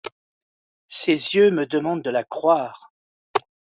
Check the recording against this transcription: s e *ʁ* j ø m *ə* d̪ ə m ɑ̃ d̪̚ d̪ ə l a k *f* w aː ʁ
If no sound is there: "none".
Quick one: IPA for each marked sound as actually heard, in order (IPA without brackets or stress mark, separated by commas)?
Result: z, ə, χ